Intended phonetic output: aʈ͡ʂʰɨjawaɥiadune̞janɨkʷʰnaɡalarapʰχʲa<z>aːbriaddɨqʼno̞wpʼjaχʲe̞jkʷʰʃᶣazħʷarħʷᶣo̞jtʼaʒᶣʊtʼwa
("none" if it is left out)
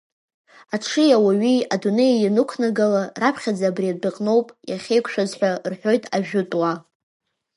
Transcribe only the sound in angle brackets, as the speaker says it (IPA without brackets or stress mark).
d͡z